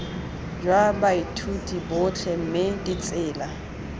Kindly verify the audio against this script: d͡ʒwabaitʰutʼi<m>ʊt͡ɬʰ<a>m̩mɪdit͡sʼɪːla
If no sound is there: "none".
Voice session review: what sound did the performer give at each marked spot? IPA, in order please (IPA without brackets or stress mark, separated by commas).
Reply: b, ɛ